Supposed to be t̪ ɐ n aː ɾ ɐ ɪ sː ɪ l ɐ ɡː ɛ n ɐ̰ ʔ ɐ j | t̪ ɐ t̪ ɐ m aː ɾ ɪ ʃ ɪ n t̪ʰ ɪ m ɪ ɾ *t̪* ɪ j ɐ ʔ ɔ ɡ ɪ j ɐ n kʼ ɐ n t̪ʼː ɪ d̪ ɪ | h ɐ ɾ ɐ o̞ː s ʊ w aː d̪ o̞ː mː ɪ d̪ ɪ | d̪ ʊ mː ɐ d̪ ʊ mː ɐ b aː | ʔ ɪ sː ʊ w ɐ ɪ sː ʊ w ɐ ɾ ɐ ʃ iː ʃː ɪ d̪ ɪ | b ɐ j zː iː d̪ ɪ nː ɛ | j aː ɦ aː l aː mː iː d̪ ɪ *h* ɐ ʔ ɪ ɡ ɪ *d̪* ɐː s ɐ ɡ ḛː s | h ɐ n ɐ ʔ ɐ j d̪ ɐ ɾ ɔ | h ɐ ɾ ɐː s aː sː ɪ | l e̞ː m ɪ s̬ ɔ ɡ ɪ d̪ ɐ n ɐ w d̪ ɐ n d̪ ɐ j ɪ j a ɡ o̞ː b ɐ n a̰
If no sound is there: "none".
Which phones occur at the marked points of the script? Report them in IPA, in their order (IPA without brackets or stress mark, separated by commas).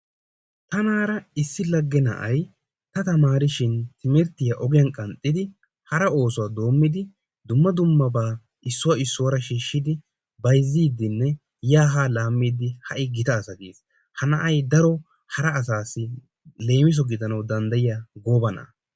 t̪, h, t̪